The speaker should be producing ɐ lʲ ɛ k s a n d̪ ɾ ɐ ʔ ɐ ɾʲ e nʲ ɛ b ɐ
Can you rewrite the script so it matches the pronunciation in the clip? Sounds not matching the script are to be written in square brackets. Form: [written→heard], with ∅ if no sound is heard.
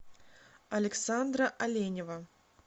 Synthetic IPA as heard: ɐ lʲ ɛ k s a n d̪ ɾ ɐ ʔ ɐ [ɾʲ→lʲ] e nʲ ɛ [b→v] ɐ